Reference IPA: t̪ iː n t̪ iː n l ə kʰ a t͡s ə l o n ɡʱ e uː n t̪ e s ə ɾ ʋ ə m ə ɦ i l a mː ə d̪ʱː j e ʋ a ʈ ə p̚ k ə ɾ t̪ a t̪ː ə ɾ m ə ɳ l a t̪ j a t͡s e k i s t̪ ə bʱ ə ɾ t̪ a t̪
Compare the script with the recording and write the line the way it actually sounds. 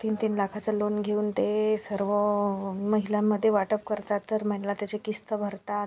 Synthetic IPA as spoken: t̪ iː n t̪ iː n l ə kʰ a t͡s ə l o n ɡʱ e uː n t̪ e s ə ɾ ʋ ə m ə ɦ i l a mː ə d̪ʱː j e ʋ a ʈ ə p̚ k ə ɾ t̪ a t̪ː ə ɾ m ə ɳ l a t̪ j a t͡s e k i s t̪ ə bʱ ə ɾ t̪ a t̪